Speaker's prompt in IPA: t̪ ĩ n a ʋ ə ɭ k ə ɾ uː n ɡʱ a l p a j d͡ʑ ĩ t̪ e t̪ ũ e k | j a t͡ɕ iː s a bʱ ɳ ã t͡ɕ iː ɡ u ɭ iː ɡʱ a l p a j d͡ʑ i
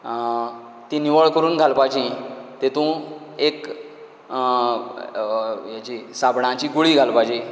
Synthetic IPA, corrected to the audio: t̪ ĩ n i ʋ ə ɭ k ə ɾ uː n ɡʱ a l p a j d͡ʑ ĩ t̪ e t̪ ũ e k | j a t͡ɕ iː s a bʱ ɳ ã t͡ɕ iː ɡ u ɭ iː ɡʱ a l p a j d͡ʑ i